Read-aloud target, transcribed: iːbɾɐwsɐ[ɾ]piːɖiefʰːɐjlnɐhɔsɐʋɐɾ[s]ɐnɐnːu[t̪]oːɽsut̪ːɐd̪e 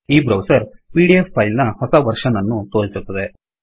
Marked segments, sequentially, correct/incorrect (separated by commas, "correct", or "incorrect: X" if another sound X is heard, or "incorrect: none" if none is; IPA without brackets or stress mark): correct, incorrect: ʂ, correct